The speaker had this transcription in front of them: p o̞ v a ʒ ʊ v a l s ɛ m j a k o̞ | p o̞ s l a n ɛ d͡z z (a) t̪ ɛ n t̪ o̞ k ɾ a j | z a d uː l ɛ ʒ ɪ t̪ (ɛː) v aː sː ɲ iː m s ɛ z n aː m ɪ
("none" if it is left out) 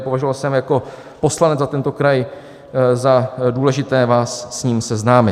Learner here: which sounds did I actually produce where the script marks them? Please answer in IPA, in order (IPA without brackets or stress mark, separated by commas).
a, ɛː